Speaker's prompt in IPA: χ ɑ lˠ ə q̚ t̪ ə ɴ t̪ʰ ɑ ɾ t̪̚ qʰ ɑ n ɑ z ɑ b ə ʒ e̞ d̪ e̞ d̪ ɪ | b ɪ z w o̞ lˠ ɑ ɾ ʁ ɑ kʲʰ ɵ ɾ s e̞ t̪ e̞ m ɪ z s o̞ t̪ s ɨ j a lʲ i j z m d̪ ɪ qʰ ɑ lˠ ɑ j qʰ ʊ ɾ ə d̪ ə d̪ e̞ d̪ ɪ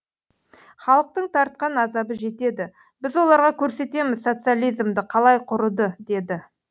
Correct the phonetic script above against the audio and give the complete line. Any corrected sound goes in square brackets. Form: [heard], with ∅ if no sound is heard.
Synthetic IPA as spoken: χ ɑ lˠ ə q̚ t̪ ə ɴ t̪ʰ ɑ ɾ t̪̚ [q] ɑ n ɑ z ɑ b ə ʒ e̞ [t̪] e̞ d̪ ɪ | b ɪ z w o̞ lˠ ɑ ɾ ʁ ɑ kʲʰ ɵ ɾ s e̞ t̪ e̞ m ɪ z s o̞ t̪ s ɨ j a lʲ i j z m d̪ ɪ qʰ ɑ lˠ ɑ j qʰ ʊ ɾ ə d̪ ə d̪ e̞ d̪ ɪ

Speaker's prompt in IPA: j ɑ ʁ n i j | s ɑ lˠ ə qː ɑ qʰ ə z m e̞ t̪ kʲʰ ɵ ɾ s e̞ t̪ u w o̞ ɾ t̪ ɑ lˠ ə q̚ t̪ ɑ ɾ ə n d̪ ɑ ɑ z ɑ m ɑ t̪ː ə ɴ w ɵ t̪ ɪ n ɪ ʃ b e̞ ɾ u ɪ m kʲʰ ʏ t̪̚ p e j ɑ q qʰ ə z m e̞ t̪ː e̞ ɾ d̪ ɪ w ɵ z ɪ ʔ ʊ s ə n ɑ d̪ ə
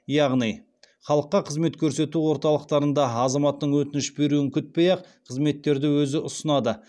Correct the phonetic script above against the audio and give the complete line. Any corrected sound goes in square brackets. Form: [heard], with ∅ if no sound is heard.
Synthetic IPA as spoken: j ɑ ʁ n i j | [χ] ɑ lˠ ə qː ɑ qʰ ə z m e̞ t̪ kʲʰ ɵ ɾ s e̞ t̪ u w o̞ ɾ t̪ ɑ lˠ ə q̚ t̪ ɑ ɾ ə n d̪ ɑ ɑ z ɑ m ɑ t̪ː ə ɴ w ɵ t̪ ɪ n ɪ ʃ b e̞ ɾ u ɪ [ŋ] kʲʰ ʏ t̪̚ p e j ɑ q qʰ ə z m e̞ t̪ː e̞ ɾ d̪ ɪ w ɵ z ɪ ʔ ʊ s ə n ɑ d̪ ə

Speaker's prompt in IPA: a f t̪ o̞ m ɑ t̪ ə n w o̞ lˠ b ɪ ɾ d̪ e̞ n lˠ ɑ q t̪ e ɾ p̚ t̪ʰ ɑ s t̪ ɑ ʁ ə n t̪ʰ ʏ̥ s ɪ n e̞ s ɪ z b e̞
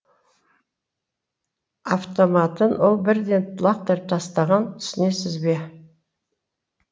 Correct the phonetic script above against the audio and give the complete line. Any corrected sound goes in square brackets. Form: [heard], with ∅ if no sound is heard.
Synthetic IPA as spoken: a f t̪ o̞ m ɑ t̪ ə n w o̞ lˠ b ɪ ɾ d̪ e̞ n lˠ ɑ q t̪ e ɾ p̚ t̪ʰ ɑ s t̪ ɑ ʁ [ɑ] n t̪ʰ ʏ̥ s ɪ n e̞ s ɪ z b e̞

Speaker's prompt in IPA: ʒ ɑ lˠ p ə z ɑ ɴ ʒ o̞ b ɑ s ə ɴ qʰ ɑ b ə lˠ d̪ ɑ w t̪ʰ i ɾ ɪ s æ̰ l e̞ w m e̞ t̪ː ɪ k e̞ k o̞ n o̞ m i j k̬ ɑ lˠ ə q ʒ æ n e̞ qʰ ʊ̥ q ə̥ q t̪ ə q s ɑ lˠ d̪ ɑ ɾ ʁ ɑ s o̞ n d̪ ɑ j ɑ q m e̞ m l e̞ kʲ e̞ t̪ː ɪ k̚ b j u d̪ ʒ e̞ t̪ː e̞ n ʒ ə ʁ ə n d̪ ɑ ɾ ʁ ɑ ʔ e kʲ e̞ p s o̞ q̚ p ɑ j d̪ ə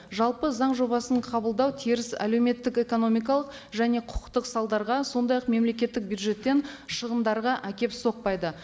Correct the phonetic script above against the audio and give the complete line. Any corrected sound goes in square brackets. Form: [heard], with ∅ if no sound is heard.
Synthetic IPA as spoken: ʒ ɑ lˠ p ə z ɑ ɴ ʒ o̞ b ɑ s ə ɴ qʰ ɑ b ə lˠ d̪ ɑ w t̪ʰ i ɾ ɪ s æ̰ l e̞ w m e̞ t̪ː ɪ k e̞ k o̞ n o̞ m i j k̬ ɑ lˠ ə q ʒ æ n e̞ qʰ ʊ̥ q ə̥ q t̪ ə q s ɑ lˠ d̪ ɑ ɾ ʁ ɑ s o̞ n d̪ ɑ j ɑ q m e̞ m l e̞ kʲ e̞ t̪ː ɪ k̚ b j u d̪ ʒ e̞ t̪ː e̞ n [ʃ] ə ʁ ə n d̪ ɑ ɾ ʁ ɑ ʔ [æ] kʲ e̞ p s o̞ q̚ p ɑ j d̪ ə

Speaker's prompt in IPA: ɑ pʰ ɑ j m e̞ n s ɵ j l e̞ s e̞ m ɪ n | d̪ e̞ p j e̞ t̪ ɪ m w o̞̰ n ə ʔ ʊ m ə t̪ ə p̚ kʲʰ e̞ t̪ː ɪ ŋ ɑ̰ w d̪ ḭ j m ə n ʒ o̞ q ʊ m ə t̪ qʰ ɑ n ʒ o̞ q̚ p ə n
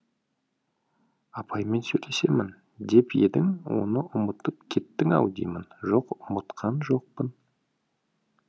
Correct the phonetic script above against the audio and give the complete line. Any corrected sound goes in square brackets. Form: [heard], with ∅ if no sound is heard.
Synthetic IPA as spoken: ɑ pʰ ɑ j m e̞ n s ɵ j l e̞ s e̞ m ɪ n | d̪ e̞ p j e̞ [d̪] ɪ [ŋ] w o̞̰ n ə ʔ ʊ m ə t̪ ə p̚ kʲʰ e̞ t̪ː ɪ ŋ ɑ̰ w d̪ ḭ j m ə n ʒ o̞ q ʊ m ə t̪ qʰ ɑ n ʒ o̞ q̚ p ə n

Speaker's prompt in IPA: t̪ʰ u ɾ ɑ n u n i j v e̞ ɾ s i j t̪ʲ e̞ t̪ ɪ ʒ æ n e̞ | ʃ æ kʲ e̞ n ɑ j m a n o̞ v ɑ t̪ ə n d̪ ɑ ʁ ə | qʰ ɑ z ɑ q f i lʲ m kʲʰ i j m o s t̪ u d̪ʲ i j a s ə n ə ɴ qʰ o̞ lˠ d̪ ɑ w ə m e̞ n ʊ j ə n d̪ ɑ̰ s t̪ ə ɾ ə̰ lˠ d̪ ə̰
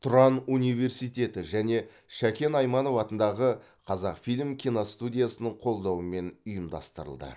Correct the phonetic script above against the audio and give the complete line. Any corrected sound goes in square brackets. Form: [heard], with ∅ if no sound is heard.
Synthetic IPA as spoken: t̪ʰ [ʊ] ɾ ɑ n u n i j v e̞ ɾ s i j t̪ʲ e̞ t̪ ɪ ʒ æ n e̞ | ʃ æ kʲ e̞ n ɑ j m [ɑ] n o̞ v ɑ t̪ ə n d̪ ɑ ʁ ə | qʰ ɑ z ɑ q f i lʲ m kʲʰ i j [n] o s t̪ u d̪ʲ i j a s ə n ə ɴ qʰ o̞ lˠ d̪ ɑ w ə m e̞ n ʊ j ə [m] d̪ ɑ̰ s t̪ ə ɾ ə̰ lˠ d̪ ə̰

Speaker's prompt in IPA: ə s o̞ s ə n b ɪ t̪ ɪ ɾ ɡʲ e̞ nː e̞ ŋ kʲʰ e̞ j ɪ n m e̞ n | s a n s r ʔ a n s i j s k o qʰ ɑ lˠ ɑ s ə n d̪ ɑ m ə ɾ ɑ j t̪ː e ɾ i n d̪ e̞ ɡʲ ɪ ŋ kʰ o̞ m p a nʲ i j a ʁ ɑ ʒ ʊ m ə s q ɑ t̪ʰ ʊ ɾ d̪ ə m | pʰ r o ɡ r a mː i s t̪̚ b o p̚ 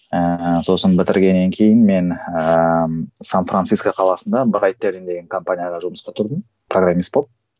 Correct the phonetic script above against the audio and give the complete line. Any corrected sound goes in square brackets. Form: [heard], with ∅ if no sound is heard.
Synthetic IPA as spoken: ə s o̞ s ə n b ɪ t̪ ɪ ɾ ɡʲ e̞ nː e̞ ŋ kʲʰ e̞ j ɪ n m e̞ n | s a n [f] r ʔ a n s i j s k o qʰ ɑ lˠ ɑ s ə n d̪ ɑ [b] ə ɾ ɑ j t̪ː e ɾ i n d̪ e̞ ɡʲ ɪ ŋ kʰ o̞ m p a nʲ i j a ʁ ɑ ʒ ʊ m ə s q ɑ t̪ʰ ʊ ɾ d̪ ə m | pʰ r o ɡ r a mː i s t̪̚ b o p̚

